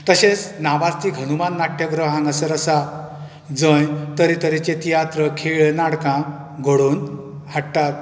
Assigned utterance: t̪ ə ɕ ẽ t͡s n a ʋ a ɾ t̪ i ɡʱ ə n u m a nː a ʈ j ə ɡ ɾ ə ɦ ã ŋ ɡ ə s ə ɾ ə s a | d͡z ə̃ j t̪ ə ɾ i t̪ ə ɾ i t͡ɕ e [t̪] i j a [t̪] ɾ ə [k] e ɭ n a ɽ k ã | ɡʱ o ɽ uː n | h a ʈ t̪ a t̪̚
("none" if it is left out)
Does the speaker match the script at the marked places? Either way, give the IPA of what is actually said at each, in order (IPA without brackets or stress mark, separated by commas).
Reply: t̪, t̪, kʰ